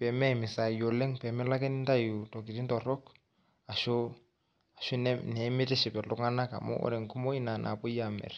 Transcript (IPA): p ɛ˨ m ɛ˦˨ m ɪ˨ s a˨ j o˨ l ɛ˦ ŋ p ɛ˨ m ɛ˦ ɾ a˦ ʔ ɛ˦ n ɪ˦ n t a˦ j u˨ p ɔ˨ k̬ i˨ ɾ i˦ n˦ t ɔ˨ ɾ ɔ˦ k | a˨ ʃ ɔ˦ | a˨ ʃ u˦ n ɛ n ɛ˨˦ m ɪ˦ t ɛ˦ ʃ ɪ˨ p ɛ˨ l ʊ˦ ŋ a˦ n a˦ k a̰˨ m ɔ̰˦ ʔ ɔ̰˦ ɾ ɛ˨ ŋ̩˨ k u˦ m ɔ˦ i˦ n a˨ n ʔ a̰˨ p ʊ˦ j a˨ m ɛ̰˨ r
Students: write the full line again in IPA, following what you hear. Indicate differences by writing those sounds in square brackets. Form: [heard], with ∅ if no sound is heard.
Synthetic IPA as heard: p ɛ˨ m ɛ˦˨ m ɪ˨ s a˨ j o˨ l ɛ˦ ŋ p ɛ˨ m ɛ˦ [l] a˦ [k] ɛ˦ n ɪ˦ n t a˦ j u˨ [t] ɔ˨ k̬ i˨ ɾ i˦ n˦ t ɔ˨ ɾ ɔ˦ k | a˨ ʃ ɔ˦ | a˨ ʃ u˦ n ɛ n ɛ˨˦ m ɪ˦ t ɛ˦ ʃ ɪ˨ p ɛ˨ l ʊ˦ ŋ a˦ n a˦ k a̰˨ m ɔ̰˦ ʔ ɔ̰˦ ɾ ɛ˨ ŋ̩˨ k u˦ m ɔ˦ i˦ n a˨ n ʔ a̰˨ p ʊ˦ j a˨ m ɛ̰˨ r